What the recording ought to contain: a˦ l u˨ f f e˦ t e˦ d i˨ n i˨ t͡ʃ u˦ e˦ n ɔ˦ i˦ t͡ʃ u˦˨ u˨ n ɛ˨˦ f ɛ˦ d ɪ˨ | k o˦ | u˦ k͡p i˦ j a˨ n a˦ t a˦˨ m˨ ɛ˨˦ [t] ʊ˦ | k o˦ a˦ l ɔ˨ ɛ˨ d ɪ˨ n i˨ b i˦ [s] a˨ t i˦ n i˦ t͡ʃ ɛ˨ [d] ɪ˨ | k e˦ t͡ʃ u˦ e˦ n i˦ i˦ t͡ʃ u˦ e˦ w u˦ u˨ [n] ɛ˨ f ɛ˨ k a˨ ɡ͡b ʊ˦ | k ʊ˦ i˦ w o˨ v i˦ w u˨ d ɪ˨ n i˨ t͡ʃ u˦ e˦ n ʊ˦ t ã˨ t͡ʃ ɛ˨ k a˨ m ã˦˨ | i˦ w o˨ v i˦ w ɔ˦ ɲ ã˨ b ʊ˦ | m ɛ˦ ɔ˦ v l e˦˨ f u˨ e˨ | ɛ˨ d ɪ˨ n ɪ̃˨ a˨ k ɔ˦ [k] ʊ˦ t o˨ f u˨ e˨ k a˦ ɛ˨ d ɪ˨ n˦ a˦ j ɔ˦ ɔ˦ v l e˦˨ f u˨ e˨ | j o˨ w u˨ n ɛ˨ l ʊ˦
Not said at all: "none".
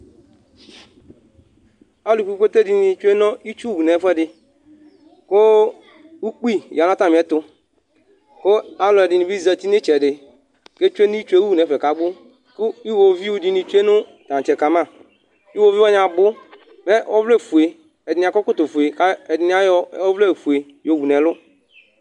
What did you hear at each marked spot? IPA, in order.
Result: t, z, d, n, k

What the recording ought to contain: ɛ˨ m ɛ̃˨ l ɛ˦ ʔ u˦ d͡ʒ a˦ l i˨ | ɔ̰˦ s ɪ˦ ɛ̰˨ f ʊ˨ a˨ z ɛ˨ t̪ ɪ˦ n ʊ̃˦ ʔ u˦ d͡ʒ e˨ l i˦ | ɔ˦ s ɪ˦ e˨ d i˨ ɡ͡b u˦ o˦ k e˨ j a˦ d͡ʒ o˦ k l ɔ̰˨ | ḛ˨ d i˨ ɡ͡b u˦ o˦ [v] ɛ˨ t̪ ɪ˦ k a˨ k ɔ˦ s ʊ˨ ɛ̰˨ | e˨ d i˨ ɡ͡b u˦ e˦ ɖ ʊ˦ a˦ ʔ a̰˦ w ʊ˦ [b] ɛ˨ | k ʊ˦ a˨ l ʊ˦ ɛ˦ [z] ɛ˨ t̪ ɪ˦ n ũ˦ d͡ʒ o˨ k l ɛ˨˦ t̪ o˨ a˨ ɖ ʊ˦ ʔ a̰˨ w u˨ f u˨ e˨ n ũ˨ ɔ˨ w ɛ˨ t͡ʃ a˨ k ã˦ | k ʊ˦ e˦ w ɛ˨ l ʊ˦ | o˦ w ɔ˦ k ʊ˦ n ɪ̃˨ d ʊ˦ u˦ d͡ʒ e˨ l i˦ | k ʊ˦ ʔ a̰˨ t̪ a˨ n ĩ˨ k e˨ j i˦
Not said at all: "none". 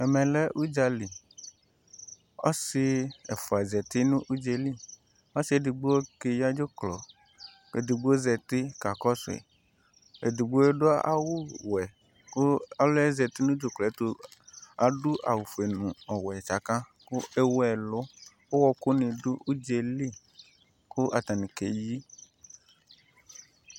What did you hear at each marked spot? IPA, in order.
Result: z, w, z

